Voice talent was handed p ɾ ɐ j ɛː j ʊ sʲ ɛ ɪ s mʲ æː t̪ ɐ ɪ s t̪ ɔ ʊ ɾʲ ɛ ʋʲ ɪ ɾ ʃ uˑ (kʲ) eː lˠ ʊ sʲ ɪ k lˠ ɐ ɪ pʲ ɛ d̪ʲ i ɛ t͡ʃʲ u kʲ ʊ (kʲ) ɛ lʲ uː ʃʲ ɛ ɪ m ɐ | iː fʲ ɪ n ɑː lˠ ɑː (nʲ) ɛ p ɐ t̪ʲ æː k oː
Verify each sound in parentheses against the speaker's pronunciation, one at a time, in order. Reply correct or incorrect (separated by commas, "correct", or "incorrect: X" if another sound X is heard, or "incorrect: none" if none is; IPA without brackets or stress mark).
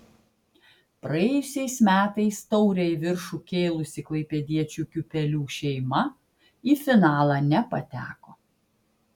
correct, incorrect: pʲ, correct